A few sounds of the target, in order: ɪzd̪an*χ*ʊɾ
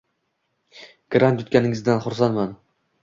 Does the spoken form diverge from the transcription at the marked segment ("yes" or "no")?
no